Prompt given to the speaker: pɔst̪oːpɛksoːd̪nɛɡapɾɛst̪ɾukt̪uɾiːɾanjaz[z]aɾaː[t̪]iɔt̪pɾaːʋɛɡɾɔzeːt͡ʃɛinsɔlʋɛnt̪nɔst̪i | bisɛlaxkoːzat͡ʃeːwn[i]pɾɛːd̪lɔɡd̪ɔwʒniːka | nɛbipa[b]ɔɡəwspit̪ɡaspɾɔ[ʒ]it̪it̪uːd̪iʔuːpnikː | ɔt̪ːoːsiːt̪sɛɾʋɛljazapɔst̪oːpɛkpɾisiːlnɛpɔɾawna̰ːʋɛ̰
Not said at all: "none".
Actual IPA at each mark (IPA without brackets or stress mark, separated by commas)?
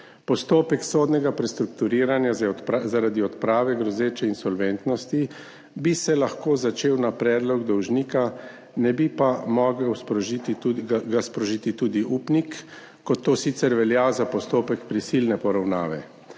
z, d̪, a, m, ʒ